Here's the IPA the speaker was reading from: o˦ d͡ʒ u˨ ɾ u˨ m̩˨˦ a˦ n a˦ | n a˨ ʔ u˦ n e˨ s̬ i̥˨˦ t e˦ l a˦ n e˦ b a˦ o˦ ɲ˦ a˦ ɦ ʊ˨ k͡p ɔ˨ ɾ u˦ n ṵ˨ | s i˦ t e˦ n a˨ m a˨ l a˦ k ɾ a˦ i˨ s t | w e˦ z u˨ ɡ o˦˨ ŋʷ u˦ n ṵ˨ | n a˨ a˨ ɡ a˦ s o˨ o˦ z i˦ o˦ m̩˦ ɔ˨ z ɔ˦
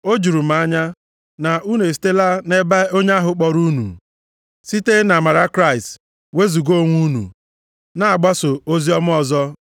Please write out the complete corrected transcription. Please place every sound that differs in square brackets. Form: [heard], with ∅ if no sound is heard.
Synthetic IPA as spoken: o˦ d͡ʒ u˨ ɾ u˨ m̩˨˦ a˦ [ɲ] a˦ | n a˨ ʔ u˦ n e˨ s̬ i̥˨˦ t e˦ l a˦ n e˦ b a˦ o˦ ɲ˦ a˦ ɦ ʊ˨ k͡p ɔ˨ ɾ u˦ n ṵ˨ | s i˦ t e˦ n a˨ m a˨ [ɾ] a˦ k ɾ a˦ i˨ s t | w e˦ z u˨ ɡ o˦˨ ŋʷ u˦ n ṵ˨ | n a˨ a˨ [ɡ͡b] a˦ s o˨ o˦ z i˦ [ɔ˦] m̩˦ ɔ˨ z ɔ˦